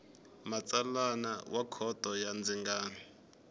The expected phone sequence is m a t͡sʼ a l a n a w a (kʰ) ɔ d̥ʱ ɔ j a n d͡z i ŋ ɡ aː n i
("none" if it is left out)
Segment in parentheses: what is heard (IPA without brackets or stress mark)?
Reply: kʰ